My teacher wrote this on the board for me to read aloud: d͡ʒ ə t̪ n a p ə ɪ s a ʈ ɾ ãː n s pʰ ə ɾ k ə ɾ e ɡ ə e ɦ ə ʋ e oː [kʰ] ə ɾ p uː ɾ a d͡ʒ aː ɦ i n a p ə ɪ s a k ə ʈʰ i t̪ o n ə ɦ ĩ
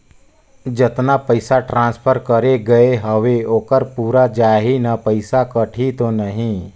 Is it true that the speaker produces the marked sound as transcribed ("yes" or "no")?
no